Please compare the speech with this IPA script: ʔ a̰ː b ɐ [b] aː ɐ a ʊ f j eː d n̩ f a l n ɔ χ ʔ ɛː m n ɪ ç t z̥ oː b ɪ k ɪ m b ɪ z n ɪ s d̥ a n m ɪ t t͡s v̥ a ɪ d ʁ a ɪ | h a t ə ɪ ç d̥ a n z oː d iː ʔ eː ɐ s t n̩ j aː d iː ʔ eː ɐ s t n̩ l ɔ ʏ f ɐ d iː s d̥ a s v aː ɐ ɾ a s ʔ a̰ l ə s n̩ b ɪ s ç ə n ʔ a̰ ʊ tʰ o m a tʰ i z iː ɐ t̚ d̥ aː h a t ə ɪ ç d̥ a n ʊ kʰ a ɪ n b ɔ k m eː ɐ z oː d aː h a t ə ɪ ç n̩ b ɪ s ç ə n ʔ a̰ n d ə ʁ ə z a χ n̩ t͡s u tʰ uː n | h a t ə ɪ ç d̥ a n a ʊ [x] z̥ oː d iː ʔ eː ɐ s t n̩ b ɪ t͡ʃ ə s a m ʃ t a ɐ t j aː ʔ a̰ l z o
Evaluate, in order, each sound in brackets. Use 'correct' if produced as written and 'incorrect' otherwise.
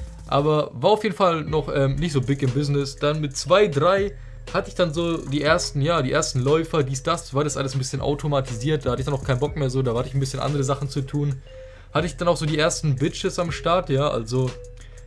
incorrect: v, correct

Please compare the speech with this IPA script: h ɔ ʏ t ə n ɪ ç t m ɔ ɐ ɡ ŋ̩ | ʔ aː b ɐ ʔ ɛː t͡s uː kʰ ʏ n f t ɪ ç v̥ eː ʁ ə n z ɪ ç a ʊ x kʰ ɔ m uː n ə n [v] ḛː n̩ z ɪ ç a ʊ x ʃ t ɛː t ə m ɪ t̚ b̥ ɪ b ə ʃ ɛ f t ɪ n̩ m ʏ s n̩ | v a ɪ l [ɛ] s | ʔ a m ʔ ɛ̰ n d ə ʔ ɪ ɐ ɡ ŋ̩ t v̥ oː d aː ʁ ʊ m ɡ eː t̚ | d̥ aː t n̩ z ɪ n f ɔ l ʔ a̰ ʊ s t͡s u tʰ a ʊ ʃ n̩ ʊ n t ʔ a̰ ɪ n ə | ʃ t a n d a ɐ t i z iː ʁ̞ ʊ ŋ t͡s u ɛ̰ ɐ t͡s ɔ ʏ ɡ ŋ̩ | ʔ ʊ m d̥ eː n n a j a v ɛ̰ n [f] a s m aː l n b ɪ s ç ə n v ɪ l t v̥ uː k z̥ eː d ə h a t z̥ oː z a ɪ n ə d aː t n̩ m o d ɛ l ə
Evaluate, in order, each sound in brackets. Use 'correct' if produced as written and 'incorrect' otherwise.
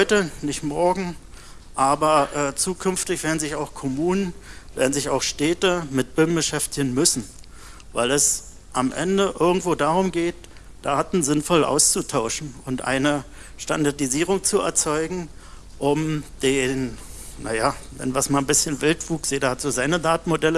correct, correct, incorrect: v

